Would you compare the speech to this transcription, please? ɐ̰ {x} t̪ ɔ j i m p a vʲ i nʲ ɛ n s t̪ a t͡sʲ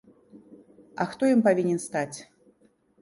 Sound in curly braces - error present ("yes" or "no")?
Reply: no